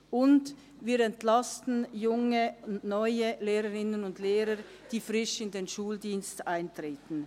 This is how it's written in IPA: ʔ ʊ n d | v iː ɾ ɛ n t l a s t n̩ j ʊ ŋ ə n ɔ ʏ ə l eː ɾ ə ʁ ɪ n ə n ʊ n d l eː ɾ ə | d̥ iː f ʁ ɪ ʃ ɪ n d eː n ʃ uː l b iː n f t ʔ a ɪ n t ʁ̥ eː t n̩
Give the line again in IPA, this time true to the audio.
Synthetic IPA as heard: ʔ ʊ n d | v iː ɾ ɛ n t l a s t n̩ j ʊ ŋ ə n ɔ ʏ ə l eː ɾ ə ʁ ɪ n ə n ʊ n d l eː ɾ ə | d̥ iː f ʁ ɪ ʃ ɪ n d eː n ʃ uː l d iː n s t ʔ a ɪ n t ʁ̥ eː t n̩